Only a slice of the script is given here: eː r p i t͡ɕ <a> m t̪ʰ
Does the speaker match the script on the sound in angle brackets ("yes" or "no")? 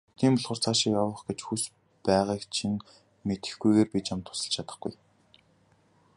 yes